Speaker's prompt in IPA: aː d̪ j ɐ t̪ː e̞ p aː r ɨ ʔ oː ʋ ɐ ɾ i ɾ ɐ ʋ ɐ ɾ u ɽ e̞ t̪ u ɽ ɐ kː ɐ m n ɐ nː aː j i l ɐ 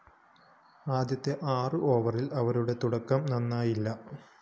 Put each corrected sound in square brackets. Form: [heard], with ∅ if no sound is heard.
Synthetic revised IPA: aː d̪ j ɐ t̪ː e̞ [ʔ] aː r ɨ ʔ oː ʋ ɐ [r] i [l] ɐ ʋ ɐ ɾ u ɽ e̞ t̪ u ɽ ɐ kː ɐ m n ɐ nː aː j i [lː] ɐ